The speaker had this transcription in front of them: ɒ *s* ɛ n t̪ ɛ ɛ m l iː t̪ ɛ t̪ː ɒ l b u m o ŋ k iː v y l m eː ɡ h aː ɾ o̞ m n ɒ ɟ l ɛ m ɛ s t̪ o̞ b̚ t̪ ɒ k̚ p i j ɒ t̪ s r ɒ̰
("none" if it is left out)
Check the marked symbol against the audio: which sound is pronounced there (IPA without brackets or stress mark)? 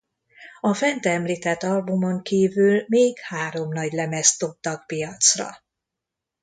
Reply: f